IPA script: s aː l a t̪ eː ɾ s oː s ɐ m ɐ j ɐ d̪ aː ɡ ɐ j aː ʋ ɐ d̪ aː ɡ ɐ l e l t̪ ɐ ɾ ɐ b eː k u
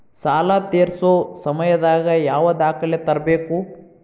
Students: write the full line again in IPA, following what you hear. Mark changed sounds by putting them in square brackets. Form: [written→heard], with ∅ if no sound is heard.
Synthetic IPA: s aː l a t̪ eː ɾ s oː s ɐ m ɐ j ɐ d̪ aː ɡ ɐ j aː ʋ ɐ d̪ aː [ɡ→k] ɐ l e [l→∅] t̪ ɐ ɾ ɐ b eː k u